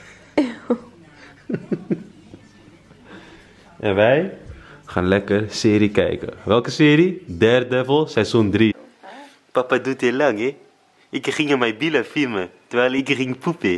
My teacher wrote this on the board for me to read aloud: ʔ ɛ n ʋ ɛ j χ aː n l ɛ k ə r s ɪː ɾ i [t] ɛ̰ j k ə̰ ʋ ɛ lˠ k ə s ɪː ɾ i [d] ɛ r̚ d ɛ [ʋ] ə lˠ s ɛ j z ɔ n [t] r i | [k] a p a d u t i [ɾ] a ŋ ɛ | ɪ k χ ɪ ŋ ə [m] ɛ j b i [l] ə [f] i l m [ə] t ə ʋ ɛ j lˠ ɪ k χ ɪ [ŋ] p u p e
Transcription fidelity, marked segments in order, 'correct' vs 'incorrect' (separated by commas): incorrect, correct, incorrect, incorrect, incorrect, incorrect, correct, correct, correct, correct, correct